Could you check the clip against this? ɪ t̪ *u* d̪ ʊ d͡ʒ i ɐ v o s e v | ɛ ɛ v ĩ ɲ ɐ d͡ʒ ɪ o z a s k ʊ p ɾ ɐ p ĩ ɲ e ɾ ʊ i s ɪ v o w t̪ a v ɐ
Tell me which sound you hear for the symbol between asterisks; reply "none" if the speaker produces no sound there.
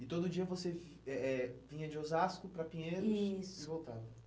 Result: o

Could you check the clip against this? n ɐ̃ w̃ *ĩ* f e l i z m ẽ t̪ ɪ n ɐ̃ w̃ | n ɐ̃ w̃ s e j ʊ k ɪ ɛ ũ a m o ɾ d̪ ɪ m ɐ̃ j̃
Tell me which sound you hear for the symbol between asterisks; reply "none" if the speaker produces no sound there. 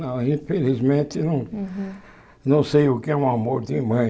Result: ĩ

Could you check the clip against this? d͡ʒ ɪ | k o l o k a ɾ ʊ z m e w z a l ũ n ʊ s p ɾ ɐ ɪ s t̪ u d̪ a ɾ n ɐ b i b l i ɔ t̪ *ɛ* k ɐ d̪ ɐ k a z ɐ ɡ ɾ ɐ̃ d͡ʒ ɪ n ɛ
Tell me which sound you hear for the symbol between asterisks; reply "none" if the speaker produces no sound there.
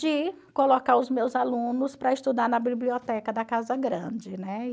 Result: ɛ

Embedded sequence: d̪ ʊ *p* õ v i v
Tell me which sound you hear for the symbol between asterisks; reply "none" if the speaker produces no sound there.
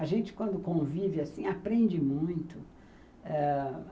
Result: k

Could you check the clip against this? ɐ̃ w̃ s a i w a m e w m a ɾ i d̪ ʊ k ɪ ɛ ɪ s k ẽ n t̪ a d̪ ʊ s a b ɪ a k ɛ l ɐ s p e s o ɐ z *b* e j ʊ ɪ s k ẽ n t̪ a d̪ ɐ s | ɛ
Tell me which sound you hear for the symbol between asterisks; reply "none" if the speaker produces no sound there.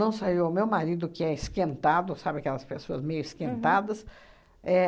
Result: m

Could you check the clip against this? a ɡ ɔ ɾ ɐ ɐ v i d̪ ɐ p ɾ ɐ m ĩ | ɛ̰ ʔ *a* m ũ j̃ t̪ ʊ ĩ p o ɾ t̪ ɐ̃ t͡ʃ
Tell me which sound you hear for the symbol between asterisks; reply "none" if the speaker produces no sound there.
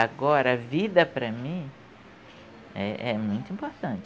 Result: ɛ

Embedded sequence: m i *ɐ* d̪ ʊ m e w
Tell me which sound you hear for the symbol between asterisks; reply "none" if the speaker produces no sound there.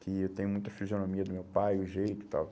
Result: ɐ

